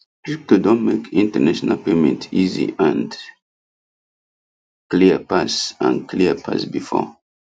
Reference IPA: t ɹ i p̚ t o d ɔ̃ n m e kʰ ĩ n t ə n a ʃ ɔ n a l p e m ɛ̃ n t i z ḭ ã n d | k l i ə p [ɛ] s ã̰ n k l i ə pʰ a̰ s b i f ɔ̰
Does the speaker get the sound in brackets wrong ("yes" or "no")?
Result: yes